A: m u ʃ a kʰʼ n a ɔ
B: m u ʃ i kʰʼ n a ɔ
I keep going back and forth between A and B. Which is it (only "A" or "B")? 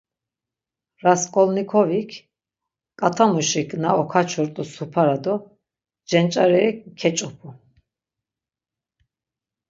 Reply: B